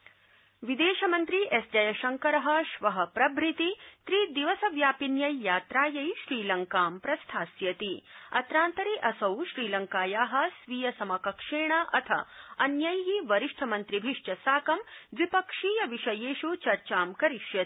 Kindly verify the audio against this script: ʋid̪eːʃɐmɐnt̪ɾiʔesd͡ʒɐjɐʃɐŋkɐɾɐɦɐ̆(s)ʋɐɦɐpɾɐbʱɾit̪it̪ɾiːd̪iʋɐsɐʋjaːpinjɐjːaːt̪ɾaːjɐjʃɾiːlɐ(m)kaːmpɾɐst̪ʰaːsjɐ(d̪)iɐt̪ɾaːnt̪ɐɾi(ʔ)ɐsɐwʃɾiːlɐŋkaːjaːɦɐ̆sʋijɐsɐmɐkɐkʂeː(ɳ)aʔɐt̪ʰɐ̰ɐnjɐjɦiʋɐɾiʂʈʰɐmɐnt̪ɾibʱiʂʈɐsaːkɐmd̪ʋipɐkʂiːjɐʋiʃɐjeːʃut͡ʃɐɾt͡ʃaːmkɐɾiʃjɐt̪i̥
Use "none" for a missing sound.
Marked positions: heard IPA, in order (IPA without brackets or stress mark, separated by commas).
ʃ, ŋ, t̪, ʔ, ɳ